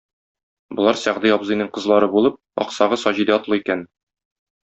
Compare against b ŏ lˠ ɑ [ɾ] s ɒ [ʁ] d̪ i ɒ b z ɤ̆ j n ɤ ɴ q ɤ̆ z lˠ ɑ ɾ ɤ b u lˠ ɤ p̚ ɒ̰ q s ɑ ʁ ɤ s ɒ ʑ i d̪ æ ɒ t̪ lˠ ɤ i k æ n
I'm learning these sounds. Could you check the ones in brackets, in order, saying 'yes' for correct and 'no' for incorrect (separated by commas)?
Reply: yes, yes